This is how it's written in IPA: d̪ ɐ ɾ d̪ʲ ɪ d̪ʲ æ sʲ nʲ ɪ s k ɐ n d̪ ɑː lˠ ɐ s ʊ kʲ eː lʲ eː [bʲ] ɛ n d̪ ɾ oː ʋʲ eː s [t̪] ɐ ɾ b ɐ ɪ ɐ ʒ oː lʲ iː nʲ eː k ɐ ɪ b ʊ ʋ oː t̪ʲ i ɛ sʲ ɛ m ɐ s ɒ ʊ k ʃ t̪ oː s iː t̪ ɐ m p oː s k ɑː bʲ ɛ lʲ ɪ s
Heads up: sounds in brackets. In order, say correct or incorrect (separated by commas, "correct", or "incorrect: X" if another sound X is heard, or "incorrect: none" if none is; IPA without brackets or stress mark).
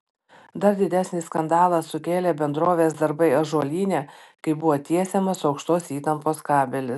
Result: correct, incorrect: d̪